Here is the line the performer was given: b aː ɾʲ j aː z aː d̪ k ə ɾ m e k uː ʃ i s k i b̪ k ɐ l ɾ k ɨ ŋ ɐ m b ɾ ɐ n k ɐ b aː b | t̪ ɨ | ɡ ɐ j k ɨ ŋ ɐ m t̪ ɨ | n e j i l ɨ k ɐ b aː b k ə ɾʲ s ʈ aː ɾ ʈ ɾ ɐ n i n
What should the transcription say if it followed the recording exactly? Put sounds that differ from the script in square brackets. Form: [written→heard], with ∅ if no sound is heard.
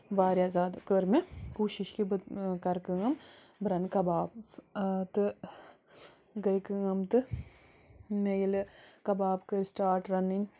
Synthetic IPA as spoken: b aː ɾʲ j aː z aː d̪ k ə ɾ m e k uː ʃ i [s→ʃ] k i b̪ k ɐ [l→∅] ɾ k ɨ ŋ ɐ m b ɾ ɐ n k ɐ b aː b | t̪ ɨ | ɡ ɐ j k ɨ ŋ ɐ m t̪ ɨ | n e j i l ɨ k ɐ b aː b k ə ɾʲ s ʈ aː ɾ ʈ ɾ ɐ n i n

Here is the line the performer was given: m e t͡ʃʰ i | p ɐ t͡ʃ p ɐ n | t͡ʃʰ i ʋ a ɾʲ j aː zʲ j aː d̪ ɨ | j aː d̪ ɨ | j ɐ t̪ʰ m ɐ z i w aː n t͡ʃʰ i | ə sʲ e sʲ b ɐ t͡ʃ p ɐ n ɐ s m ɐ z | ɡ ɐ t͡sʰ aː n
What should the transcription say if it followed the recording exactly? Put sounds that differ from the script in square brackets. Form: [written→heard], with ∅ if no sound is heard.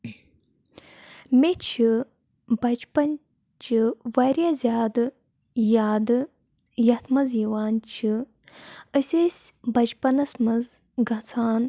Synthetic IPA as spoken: m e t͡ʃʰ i | [p→b] ɐ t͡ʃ p ɐ n | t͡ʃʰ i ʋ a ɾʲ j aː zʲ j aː d̪ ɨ | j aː d̪ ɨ | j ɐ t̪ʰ m ɐ z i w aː n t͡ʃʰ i | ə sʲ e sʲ b ɐ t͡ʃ p ɐ n ɐ s m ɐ z | ɡ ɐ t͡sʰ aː n

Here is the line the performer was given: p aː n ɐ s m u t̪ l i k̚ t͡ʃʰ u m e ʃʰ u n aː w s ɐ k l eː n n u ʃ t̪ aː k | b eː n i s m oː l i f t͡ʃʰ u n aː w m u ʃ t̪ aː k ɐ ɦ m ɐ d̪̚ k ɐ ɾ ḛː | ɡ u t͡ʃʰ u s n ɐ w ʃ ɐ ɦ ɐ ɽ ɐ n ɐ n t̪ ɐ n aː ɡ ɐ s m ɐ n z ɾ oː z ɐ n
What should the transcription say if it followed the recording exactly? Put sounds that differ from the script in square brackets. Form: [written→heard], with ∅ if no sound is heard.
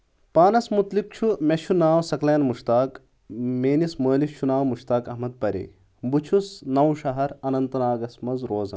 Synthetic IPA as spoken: p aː n ɐ s m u t̪ l i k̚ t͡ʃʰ u m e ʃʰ u n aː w s ɐ k l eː n [n→m] u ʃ t̪ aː k | [b→m] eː n i s m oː l i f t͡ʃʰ u n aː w m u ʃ t̪ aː k ɐ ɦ m ɐ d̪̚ [k→p] ɐ ɾ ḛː | [ɡ→b] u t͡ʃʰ u s n ɐ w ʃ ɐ ɦ ɐ [ɽ→ɾ] ɐ n ɐ n t̪ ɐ n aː ɡ ɐ s m ɐ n z ɾ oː z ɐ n

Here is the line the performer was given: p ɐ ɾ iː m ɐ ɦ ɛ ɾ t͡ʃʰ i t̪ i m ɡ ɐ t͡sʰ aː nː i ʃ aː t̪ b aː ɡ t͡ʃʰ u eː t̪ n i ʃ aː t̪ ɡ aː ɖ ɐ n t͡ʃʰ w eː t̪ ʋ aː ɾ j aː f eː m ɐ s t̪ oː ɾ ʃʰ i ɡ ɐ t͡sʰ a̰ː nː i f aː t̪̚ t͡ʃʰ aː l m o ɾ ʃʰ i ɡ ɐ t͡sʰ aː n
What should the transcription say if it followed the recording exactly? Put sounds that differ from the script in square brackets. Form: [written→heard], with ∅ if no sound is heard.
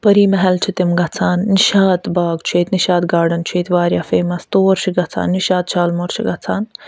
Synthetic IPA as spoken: p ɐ ɾ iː m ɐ ɦ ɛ [ɾ→l] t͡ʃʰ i t̪ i m ɡ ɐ t͡sʰ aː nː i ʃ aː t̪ b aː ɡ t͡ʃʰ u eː t̪ n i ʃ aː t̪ ɡ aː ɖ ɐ n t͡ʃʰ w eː t̪ ʋ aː ɾ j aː f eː m ɐ s t̪ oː ɾ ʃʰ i ɡ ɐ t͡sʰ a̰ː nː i [f→ʃ] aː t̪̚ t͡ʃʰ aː l m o ɾ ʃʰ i ɡ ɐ t͡sʰ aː n

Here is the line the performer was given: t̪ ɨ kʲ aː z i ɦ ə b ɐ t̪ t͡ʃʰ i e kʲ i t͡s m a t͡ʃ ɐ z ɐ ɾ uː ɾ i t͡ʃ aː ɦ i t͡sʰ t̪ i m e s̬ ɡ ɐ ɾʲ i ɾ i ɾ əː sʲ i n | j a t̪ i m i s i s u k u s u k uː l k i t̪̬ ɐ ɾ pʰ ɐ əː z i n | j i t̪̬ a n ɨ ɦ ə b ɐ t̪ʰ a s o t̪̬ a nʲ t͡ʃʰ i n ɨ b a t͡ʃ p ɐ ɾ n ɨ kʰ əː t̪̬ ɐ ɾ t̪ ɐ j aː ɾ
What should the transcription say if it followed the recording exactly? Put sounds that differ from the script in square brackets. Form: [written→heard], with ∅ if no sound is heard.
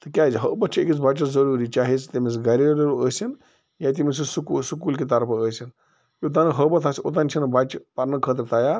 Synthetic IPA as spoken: t̪ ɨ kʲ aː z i ɦ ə b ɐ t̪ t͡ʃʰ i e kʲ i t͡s [m→b] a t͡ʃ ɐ z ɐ ɾ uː ɾ i t͡ʃ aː ɦ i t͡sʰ t̪ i m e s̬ ɡ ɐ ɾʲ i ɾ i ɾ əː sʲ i n | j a t̪ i m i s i s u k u s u k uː l k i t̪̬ ɐ ɾ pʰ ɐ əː [z→s] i n | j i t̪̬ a n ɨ ɦ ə b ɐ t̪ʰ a s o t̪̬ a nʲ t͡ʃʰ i n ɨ b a t͡ʃ p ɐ ɾ n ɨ kʰ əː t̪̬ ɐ ɾ t̪ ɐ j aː ɾ

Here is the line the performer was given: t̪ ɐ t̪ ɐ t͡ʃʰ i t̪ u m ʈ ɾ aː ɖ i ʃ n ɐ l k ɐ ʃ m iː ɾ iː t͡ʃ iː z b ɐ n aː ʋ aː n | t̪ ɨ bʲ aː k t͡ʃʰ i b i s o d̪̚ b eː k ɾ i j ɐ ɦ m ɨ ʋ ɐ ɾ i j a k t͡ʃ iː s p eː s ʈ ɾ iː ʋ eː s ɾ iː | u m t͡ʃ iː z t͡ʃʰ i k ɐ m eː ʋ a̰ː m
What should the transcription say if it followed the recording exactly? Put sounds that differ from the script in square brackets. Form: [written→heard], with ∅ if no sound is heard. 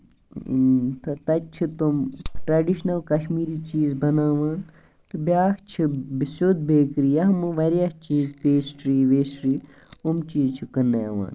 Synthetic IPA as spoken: t̪ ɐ t̪ ɐ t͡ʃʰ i t̪ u m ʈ ɾ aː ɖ i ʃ n ɐ l k ɐ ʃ m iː ɾ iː t͡ʃ iː z b ɐ n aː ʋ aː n | t̪ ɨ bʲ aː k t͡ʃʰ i b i s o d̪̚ b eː k ɾ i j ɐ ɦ m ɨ ʋ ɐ ɾ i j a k t͡ʃ iː [s→z] p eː s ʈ ɾ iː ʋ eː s ɾ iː | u m t͡ʃ iː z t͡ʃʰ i k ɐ [m→n] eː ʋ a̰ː [m→n]

